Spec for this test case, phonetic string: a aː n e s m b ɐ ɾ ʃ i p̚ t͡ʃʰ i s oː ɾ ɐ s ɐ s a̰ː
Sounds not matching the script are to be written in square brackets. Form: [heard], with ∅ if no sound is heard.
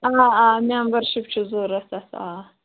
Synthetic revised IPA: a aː [m] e [∅] m b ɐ ɾ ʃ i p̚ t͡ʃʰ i [z] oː ɾ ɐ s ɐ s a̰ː